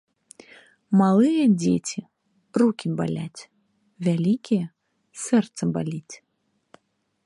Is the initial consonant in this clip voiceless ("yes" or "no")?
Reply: no